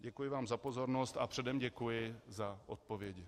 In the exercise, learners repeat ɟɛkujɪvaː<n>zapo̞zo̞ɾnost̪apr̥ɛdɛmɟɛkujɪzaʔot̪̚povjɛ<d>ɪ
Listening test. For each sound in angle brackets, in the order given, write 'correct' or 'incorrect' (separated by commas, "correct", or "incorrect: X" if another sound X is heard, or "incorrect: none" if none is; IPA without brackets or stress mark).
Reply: incorrect: m, incorrect: ɟ